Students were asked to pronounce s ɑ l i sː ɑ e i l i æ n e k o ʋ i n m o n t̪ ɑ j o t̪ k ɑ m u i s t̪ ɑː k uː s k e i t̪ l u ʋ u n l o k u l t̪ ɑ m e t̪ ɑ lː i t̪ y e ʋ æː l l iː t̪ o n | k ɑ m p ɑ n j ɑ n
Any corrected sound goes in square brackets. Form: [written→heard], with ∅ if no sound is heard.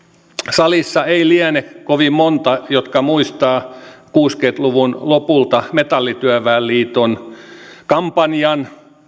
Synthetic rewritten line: s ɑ l i sː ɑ e i l i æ n e k o ʋ i [n→m] m o n t̪ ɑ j o t̪ k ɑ m u i s t̪ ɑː k uː s k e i t̪ l u ʋ u n l o [k→p] u l t̪ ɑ m e t̪ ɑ lː i t̪ y [e→æ] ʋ æː l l iː t̪ o n | k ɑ m p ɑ n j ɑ n